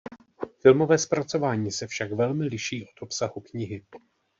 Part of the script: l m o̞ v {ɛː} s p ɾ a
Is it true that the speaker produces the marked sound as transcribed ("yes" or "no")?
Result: yes